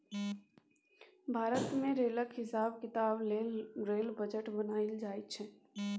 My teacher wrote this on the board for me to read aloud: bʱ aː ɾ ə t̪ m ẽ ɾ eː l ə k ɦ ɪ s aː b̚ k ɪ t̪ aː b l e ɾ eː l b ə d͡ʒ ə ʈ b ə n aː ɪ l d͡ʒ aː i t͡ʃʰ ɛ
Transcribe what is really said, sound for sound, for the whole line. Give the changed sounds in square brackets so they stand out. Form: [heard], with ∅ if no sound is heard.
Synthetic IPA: bʱ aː ɾ ə t̪ m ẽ ɾ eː l ə k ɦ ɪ s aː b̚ k ɪ t̪ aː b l e ɾ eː l b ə d͡ʒ ə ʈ b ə n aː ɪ l d͡ʒ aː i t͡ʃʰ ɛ